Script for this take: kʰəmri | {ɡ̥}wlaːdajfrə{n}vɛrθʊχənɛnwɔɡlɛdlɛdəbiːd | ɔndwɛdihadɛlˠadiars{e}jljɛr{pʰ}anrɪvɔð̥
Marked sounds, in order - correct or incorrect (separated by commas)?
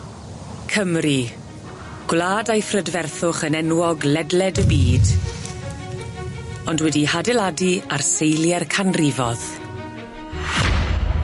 correct, incorrect, correct, incorrect